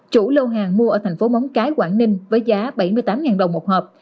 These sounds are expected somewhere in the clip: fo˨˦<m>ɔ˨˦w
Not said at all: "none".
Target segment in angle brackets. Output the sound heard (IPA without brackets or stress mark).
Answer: m